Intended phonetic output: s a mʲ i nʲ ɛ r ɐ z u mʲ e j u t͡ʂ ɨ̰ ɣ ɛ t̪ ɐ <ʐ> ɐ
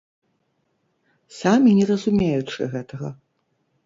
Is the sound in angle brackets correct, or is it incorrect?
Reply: incorrect